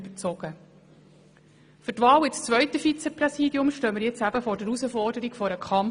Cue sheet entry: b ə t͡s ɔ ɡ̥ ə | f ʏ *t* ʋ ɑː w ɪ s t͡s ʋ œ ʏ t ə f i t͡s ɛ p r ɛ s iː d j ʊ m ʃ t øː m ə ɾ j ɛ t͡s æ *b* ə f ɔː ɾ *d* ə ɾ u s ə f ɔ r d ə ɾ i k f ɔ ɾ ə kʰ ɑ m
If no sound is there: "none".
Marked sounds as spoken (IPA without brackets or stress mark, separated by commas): t, b, d